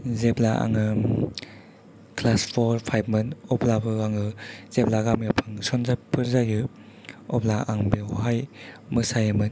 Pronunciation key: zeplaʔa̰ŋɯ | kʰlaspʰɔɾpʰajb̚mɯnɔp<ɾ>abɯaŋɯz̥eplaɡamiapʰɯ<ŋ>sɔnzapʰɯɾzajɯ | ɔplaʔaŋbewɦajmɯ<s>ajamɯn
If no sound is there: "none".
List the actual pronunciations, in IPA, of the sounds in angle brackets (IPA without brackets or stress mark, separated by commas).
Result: l, ŋ, s